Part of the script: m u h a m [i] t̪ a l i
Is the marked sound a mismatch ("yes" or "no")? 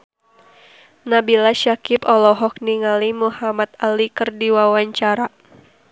yes